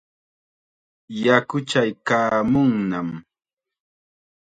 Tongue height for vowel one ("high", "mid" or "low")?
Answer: low